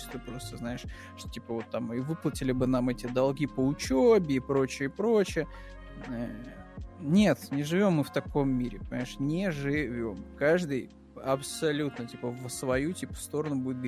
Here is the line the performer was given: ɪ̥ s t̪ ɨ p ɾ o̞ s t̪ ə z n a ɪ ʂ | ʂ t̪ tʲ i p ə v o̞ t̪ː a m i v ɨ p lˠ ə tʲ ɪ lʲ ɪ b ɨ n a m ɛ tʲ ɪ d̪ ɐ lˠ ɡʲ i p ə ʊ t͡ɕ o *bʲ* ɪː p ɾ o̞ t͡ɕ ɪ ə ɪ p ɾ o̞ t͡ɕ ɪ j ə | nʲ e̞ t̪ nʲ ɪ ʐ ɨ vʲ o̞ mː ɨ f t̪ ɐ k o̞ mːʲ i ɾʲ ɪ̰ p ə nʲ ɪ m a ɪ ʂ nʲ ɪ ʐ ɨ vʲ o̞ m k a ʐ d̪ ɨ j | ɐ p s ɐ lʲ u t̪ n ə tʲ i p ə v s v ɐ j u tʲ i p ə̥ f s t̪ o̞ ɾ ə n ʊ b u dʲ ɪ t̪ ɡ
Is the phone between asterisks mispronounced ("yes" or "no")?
no